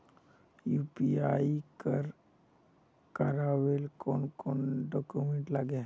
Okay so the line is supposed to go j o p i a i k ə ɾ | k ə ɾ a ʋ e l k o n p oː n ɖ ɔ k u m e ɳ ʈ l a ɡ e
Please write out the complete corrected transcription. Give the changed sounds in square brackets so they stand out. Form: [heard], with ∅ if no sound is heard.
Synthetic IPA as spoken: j [u] p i a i k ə ɾ | k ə ɾ a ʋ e l k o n [k] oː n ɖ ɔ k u m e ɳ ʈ l a ɡ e

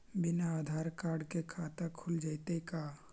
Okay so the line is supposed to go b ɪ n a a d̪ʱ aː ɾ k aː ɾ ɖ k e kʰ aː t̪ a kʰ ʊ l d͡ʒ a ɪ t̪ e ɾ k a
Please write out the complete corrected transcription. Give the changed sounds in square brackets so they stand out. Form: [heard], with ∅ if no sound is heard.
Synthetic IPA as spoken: b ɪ n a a d̪ʱ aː ɾ k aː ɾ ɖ k e kʰ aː t̪ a kʰ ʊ l d͡ʒ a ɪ t̪ e [∅] k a

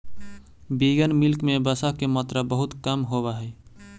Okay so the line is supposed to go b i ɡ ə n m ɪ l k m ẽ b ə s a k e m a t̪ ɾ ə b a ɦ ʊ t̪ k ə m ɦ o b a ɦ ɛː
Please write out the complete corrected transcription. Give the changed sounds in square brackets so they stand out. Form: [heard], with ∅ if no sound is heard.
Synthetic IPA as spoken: b i ɡ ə n m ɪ l k m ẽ b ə s a k e m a t̪ ɾ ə b [ə] ɦ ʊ t̪ k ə m ɦ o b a ɦ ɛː

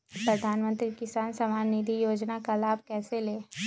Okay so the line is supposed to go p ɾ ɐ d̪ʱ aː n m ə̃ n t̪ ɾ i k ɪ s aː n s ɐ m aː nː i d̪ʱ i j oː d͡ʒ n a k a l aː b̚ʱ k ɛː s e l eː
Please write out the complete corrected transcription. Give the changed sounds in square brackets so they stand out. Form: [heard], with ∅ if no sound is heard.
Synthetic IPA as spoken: p ɾ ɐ d̪ʱ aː n m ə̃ n t̪ ɾ i k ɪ s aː n s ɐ m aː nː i d̪ʱ i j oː d͡ʒ n a k a l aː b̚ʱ k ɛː s e l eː

